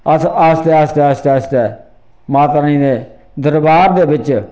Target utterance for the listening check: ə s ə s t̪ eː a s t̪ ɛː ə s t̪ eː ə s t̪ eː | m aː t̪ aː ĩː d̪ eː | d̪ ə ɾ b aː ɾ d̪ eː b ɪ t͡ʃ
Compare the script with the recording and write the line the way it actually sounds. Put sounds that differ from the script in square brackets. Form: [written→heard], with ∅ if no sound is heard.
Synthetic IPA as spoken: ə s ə s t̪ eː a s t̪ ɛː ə s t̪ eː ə s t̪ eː | m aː t̪ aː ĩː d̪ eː | d̪ ə ɾ b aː ɾ d̪ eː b ɪ t͡ʃ

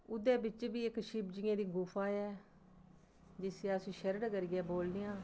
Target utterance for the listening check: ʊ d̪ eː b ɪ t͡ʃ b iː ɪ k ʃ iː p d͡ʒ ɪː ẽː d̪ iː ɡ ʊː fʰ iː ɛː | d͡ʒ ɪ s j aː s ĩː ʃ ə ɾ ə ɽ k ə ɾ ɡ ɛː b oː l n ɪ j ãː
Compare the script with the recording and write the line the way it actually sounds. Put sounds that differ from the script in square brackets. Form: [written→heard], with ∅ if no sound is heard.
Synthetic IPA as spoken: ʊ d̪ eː b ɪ t͡ʃ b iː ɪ k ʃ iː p d͡ʒ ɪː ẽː d̪ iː ɡ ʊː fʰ [iː→aː] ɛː | d͡ʒ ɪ s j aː s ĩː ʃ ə ɾ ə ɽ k ə ɾ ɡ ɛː b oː l n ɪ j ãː

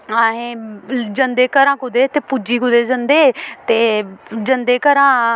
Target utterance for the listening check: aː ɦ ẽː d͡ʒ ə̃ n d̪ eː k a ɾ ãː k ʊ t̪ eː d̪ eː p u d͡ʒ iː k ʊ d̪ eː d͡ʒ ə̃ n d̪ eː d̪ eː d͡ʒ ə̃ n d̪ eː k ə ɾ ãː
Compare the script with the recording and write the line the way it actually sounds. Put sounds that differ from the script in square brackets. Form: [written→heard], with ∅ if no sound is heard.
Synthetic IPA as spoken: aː ɦ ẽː d͡ʒ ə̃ n d̪ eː k [a→ə] ɾ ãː k ʊ [t̪→d̪] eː [d̪→t̪] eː p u d͡ʒ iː k ʊ d̪ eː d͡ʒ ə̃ n d̪ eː [d̪→t̪] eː d͡ʒ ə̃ n d̪ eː k ə ɾ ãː

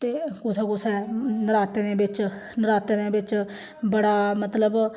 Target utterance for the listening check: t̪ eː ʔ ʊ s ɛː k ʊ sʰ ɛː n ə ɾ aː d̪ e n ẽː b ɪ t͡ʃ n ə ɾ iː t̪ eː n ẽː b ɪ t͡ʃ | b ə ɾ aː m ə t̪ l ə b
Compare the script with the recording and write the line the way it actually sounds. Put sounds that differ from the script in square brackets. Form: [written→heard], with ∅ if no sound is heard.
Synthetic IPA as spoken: t̪ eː [ʔ→k] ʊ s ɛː k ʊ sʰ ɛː n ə ɾ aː [d̪→t̪] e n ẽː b ɪ t͡ʃ n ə ɾ [iː→aː] t̪ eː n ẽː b ɪ t͡ʃ | b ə [ɾ→ɽ] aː m ə t̪ l ə b

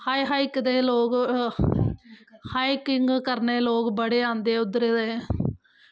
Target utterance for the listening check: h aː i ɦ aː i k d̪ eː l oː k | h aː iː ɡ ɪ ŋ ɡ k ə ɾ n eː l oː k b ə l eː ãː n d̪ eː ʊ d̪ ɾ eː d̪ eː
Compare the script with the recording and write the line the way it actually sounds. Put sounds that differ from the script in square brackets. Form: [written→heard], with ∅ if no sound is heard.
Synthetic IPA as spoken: h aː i ɦ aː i k d̪ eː l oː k | h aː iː [ɡ→k] ɪ ŋ ɡ k ə ɾ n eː l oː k b ə [l→ɽ] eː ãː n d̪ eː ʊ d̪ ɾ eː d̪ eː

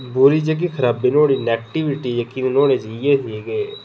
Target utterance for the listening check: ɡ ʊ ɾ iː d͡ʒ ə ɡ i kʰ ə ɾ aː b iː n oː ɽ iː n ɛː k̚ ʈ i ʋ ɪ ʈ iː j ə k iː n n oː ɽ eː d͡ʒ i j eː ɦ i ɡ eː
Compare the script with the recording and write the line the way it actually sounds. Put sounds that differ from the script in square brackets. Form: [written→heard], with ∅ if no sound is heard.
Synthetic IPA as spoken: [ɡ→b] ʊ ɾ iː d͡ʒ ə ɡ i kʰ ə ɾ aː b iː n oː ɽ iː n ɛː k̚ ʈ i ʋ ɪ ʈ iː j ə k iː n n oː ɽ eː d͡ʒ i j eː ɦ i ɡ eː

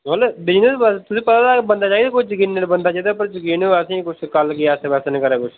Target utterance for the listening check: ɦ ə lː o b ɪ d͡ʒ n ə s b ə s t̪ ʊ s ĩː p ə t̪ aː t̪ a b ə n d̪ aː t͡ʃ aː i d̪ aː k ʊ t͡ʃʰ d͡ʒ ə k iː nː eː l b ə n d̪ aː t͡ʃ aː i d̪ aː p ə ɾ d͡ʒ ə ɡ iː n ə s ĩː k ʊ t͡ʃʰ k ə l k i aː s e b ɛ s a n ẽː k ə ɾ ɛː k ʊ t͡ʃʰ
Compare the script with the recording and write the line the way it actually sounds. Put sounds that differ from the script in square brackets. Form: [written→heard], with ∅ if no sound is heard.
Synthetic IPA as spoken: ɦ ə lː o b ɪ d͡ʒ n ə s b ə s t̪ ʊ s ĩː p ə t̪ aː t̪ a b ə n d̪ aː t͡ʃ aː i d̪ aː k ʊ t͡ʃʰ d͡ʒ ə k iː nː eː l b ə n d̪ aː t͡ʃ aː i d̪ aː p ə ɾ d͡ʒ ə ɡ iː n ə s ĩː k ʊ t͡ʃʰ k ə l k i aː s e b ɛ s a n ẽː k ə ɾ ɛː k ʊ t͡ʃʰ

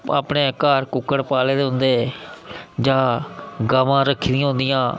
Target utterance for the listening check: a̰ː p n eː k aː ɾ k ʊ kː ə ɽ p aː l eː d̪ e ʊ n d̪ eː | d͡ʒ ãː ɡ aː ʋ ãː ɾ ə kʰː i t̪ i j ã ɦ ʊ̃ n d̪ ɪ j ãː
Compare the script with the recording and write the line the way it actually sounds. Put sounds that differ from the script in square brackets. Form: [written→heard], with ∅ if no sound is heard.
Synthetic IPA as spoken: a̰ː p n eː k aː ɾ k ʊ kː ə ɽ p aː l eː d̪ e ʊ n d̪ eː | d͡ʒ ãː ɡ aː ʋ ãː ɾ ə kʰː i [t̪→d̪] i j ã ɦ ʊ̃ n d̪ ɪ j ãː

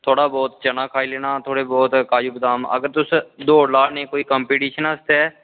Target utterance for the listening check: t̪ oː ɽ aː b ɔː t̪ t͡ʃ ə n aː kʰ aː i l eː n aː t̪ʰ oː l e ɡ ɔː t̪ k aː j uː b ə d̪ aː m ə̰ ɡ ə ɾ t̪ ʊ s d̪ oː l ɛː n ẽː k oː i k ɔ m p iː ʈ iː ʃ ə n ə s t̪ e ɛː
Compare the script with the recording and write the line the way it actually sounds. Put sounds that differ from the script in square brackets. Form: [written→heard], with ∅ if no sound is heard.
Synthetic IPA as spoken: [t̪→t̪ʰ] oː ɽ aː b ɔː t̪ t͡ʃ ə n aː kʰ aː i l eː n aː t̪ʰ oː [l→ɽ] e [ɡ→b] ɔː t̪ k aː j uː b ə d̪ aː m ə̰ ɡ ə ɾ t̪ ʊ s d̪ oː l [ɛː→aː] n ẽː k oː i k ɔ m p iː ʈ iː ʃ ə n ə s t̪ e ɛː

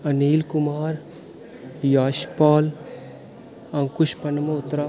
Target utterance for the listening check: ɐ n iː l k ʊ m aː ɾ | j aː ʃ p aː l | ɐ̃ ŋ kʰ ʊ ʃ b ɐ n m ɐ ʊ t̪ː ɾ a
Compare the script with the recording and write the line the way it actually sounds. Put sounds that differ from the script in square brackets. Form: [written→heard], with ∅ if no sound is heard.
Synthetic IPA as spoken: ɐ n iː l k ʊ m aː ɾ | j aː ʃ p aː l | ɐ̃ ŋ [kʰ→k] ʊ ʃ [b→p] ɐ n m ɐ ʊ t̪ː ɾ a

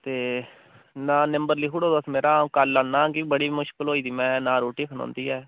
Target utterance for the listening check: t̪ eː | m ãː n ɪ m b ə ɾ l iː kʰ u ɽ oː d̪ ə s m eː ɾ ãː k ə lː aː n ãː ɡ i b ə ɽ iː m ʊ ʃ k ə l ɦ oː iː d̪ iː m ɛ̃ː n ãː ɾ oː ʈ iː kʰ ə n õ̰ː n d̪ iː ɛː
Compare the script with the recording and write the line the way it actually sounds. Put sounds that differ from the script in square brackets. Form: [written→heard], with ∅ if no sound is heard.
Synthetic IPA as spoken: t̪ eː | [m→n] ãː n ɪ m b ə ɾ l iː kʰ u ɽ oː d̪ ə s m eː ɾ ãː k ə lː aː n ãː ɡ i b ə ɽ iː m ʊ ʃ k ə l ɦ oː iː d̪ iː m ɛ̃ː n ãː ɾ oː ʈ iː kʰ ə n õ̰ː n d̪ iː ɛː

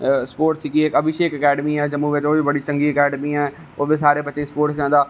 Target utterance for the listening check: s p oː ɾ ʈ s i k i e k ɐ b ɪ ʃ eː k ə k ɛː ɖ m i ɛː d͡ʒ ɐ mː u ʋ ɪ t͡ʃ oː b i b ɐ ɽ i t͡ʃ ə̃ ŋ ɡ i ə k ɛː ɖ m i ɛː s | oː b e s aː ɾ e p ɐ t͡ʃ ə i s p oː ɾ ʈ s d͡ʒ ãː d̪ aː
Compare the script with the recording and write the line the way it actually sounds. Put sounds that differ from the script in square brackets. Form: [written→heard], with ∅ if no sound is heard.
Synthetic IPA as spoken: s p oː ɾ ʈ s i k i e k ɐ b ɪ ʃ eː k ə k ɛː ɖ m i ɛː d͡ʒ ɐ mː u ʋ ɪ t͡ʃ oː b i b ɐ ɽ i t͡ʃ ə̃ ŋ ɡ i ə k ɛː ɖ m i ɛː [s→∅] | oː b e s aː ɾ e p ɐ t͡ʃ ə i s p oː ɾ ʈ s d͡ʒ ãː d̪ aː

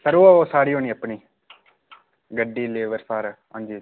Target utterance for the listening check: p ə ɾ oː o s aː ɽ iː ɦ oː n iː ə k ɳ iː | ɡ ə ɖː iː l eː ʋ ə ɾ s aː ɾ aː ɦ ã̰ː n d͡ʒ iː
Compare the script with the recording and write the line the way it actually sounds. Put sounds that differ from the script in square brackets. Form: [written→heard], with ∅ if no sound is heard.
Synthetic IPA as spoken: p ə ɾ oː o s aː ɽ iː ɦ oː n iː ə [k→p] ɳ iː | ɡ ə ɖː iː l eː ʋ ə ɾ s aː ɾ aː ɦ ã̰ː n d͡ʒ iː

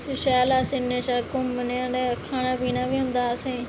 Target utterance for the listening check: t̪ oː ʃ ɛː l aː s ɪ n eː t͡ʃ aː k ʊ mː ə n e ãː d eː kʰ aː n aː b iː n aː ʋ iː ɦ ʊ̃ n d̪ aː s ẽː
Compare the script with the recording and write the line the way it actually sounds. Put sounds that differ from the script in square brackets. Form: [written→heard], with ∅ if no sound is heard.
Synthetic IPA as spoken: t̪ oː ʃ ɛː l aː s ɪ n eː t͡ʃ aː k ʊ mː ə n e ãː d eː kʰ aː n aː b iː n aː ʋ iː ɦ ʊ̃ n d̪ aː s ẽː

